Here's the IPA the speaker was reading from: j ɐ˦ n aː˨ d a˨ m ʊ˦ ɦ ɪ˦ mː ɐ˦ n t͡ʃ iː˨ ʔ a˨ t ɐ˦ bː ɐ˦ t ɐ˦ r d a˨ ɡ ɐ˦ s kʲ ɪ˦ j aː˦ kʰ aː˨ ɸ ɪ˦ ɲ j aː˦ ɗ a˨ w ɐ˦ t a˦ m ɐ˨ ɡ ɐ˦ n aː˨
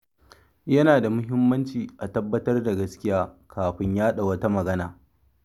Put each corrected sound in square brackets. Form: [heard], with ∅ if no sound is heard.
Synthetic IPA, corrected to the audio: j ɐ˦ n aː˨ d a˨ m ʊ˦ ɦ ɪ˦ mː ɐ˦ n t͡ʃ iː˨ ʔ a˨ t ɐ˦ bː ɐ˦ t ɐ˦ r d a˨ ɡ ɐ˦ s kʲ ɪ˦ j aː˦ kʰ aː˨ ɸ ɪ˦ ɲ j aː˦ ɗ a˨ w ɐ˦ t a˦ m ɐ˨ ɡ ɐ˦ n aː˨